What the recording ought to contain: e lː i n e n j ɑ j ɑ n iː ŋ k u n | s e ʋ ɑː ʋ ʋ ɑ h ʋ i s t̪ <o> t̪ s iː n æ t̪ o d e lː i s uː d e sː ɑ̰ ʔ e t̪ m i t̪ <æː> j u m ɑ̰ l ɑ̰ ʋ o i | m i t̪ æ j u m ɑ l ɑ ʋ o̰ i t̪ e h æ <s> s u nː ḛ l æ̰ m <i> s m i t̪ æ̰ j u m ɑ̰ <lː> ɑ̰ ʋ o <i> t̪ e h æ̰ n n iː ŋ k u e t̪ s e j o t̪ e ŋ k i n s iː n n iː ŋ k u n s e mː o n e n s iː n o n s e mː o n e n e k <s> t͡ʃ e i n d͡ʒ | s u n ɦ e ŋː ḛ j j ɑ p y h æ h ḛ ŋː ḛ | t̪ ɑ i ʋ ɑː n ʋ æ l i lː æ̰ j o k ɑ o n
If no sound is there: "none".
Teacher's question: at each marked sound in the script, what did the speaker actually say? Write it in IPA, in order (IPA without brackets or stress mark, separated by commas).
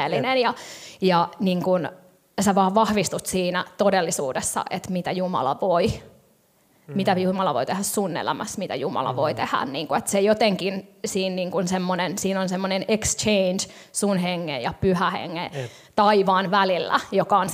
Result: u, æ, s, æ, l, i, s